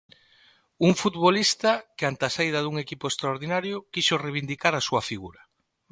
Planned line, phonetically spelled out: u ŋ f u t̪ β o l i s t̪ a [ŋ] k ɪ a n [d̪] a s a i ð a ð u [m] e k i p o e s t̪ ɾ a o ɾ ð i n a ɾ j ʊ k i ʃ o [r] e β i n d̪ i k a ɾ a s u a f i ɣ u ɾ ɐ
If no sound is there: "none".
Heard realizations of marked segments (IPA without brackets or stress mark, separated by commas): none, t̪, ŋ, r